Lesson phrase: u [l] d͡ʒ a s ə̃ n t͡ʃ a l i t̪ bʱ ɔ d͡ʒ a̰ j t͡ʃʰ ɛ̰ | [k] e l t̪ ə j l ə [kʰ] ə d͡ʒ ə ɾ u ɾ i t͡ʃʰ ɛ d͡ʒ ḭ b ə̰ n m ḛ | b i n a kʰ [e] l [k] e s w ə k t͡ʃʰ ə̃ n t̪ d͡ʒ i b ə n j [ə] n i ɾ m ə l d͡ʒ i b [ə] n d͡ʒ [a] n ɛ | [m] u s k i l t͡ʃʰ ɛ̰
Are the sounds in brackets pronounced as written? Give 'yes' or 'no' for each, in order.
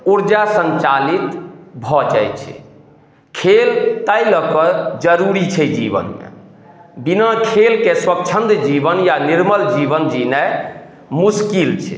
no, no, no, yes, yes, no, yes, no, yes

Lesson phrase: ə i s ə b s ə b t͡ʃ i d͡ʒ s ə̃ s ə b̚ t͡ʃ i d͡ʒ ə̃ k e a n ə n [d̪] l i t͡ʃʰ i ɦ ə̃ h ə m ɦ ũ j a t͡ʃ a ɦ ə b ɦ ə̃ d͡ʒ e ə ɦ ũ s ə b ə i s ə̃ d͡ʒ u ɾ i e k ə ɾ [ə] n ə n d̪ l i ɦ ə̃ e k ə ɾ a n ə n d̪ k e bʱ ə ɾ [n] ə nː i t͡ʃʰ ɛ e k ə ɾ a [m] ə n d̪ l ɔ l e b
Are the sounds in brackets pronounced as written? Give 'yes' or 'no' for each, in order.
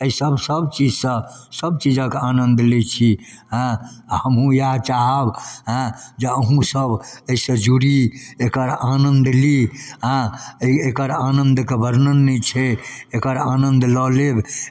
yes, no, yes, no

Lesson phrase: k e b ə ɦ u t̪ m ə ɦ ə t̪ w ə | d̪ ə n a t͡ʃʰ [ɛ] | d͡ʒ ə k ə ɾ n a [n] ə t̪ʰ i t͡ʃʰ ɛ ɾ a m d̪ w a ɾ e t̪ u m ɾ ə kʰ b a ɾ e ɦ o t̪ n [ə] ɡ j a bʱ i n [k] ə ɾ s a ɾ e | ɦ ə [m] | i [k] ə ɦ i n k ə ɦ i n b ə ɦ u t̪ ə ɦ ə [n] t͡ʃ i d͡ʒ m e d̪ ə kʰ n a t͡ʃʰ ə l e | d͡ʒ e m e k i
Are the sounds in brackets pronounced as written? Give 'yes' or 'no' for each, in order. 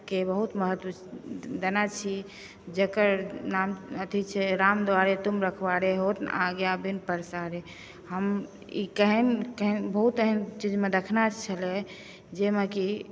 no, no, no, no, yes, yes, yes

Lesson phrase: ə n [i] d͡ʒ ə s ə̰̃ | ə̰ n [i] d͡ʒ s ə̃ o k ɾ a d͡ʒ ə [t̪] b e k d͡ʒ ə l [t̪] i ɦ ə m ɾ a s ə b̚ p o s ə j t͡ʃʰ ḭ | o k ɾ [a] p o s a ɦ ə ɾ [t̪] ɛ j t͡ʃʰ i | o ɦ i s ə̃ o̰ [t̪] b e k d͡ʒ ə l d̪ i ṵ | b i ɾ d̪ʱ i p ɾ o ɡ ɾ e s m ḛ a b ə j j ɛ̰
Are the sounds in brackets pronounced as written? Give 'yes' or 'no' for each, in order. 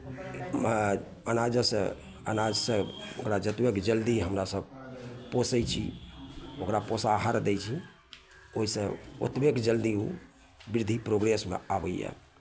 no, no, yes, no, yes, no, yes

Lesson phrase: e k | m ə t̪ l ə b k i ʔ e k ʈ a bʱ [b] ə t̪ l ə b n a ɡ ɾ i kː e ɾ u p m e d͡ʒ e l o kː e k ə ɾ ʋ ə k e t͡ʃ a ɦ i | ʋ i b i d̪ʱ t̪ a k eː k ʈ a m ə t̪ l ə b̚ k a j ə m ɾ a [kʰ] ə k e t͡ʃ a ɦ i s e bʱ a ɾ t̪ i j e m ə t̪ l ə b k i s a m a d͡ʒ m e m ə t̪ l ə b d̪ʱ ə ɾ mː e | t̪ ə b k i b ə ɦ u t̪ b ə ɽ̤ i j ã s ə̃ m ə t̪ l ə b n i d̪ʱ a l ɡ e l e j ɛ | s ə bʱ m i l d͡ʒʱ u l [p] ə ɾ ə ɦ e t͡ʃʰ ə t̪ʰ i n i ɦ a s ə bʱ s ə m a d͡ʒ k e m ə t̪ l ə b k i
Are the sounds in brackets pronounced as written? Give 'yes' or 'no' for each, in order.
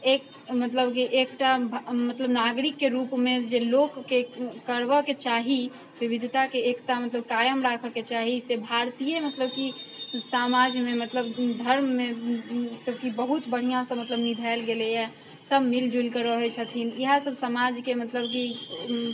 no, yes, no

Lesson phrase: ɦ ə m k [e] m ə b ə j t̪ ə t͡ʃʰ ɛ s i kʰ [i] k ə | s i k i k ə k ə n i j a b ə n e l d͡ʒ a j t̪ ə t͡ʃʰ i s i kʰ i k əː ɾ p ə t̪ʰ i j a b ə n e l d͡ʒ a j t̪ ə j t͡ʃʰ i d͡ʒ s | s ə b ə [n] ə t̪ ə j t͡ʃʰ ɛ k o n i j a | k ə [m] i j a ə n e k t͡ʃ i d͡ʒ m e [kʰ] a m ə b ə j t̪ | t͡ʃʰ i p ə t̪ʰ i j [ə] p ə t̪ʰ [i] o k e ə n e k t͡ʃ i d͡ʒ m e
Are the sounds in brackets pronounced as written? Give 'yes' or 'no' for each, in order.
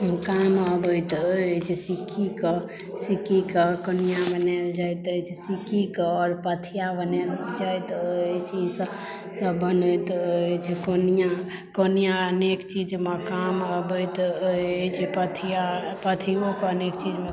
no, yes, yes, no, no, no, yes

